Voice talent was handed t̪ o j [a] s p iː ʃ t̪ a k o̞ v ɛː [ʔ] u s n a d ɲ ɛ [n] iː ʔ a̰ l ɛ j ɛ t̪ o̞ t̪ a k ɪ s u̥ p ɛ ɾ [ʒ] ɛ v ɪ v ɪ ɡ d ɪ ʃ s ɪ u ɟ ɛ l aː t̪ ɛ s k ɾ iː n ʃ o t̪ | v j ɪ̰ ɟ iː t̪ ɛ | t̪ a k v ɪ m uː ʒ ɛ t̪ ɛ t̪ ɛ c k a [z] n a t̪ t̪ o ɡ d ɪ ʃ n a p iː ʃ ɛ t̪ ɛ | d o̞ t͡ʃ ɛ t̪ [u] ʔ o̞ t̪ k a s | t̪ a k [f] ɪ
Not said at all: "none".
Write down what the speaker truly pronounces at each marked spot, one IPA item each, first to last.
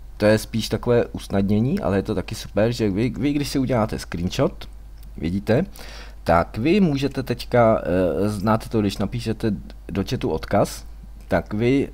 ɛ, ʔ, ɲ, ʒ, z, u, v

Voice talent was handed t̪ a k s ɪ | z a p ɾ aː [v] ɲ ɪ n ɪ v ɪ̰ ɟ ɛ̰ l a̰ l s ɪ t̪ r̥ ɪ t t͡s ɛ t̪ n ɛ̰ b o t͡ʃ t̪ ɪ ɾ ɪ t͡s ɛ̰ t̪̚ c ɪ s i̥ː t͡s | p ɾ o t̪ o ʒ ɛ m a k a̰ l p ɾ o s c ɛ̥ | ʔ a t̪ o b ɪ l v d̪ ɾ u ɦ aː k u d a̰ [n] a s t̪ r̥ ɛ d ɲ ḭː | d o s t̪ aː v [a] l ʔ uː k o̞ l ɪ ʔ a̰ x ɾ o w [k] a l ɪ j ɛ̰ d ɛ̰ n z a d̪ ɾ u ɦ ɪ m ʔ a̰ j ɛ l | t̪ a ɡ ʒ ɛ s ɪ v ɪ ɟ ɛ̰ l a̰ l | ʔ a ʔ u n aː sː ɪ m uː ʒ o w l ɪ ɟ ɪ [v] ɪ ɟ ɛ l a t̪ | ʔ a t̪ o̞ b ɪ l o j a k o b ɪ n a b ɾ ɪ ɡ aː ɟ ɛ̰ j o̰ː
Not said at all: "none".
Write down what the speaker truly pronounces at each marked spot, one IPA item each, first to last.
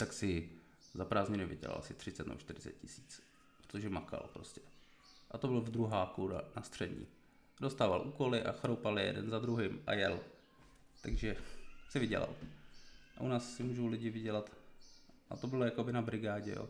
z, n, a, p, v

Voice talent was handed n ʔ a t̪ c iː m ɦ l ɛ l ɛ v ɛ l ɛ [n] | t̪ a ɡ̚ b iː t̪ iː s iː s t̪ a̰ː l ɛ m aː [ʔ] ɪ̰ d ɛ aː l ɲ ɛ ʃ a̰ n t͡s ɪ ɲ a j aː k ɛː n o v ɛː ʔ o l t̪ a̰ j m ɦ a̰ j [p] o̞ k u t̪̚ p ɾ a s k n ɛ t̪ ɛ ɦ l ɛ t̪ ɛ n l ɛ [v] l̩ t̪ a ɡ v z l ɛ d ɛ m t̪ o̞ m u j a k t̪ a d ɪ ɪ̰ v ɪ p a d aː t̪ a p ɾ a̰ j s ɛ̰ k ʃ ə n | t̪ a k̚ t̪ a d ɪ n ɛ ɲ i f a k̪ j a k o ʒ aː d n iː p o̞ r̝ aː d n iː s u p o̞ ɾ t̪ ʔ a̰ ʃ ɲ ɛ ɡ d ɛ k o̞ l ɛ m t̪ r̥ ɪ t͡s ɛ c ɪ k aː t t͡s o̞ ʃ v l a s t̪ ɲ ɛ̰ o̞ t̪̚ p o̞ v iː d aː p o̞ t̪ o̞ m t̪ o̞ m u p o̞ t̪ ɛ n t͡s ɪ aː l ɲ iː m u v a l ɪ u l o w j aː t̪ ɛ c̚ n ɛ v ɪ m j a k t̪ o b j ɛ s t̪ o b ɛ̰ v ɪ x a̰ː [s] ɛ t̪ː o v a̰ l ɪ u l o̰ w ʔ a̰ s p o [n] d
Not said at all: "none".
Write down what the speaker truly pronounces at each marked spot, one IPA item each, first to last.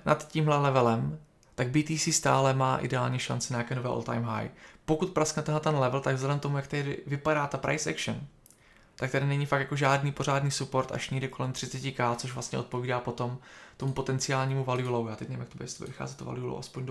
m, ʔ, p, v, z, ɲ

